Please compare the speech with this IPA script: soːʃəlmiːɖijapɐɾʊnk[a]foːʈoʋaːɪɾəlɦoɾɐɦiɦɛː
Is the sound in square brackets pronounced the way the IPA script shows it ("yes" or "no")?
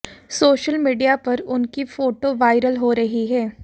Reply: no